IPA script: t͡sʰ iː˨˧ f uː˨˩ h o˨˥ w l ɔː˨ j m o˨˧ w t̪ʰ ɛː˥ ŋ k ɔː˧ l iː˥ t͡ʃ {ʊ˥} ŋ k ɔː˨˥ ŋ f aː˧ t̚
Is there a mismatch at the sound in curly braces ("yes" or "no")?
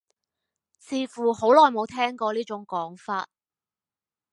yes